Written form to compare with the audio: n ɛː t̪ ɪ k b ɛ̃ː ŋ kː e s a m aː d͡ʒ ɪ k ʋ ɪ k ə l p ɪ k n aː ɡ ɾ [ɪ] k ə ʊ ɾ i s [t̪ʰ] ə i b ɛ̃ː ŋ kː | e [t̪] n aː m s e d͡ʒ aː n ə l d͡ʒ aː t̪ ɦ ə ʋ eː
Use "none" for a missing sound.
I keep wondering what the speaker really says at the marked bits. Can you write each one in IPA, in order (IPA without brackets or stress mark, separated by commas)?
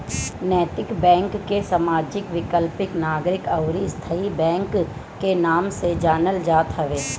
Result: ɪ, t̪ʰ, none